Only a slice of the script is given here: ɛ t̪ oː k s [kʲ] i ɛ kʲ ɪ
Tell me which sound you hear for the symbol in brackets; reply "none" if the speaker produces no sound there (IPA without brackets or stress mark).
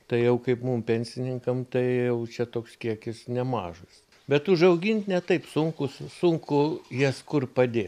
kʲ